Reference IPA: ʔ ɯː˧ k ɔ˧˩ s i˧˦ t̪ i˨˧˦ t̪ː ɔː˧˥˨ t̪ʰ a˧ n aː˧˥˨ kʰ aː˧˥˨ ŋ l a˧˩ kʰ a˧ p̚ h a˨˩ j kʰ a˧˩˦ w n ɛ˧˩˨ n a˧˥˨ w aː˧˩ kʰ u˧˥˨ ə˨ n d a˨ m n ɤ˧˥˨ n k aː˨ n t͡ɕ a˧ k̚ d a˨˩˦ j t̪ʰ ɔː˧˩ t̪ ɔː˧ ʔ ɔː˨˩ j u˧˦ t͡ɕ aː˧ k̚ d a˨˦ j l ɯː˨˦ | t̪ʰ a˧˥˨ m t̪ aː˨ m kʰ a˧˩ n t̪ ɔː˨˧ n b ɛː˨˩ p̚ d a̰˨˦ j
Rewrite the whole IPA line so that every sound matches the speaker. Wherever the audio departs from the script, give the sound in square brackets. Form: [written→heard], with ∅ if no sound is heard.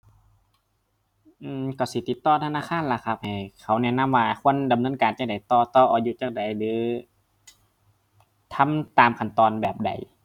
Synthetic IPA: ʔ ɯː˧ k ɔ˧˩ s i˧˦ t̪ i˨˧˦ t̪ː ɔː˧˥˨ t̪ʰ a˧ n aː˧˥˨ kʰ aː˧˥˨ [ŋ→n] l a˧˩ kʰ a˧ p̚ h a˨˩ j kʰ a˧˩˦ w n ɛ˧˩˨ n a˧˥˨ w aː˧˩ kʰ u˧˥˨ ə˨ n d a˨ m n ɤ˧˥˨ n k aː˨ n t͡ɕ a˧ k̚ d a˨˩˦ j [t̪ʰ→t̪] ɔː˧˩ t̪ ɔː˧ ʔ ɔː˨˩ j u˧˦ t͡ɕ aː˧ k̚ d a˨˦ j l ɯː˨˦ | t̪ʰ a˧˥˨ m t̪ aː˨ m kʰ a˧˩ n t̪ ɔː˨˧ n b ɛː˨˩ p̚ d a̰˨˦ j